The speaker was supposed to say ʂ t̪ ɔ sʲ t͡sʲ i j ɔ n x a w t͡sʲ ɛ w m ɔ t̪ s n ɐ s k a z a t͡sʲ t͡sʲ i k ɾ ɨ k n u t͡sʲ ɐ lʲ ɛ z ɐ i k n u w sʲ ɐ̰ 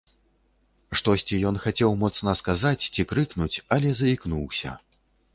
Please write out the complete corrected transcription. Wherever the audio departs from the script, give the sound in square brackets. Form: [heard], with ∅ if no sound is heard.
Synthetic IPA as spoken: ʂ t̪ ɔ sʲ t͡sʲ i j ɔ n x a [∅] t͡sʲ ɛ w m ɔ t̪ s n ɐ s k a z a t͡sʲ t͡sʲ i k ɾ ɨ k n u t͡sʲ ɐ lʲ ɛ z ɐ i k n u w sʲ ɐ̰